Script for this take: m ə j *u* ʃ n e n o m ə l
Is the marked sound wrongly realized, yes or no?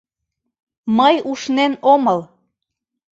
no